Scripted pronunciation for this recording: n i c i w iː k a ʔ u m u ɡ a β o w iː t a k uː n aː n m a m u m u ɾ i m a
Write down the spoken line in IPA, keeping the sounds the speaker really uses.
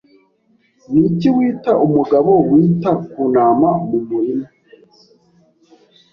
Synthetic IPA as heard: n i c i w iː t a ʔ u m u ɡ a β o w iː t a k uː n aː m a m u m u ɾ i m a